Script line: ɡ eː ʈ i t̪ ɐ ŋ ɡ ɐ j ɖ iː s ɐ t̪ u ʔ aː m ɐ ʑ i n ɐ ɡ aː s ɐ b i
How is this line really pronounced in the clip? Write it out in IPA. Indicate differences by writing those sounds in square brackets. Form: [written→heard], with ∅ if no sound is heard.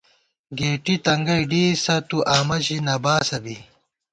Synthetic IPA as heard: ɡ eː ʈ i t̪ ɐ ŋ ɡ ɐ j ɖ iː s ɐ t̪ u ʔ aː m ɐ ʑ i n ɐ [ɡ→b] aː s ɐ b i